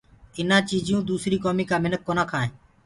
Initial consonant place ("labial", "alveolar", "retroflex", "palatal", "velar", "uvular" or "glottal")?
alveolar